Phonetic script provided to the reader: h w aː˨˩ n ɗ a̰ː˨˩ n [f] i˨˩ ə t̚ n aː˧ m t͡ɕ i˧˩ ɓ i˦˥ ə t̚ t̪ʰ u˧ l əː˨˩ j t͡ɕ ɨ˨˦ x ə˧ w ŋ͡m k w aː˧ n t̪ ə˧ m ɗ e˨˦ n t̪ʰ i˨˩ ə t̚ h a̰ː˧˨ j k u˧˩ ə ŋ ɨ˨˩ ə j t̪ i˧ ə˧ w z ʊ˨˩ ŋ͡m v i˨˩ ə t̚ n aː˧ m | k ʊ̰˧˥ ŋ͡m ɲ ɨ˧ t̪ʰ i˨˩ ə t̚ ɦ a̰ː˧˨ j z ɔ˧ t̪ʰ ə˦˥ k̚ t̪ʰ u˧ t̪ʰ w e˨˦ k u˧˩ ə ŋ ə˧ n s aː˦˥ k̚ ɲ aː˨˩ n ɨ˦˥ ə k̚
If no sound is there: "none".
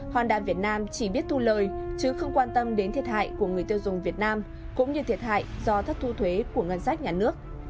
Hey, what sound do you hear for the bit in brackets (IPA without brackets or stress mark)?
v